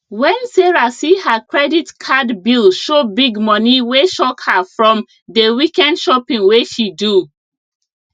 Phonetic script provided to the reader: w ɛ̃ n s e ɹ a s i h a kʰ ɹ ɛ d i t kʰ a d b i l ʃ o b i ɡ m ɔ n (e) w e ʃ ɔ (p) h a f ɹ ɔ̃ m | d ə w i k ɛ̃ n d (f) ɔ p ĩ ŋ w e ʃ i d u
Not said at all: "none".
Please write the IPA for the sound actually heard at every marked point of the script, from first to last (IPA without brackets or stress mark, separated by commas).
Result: i, k, ʃ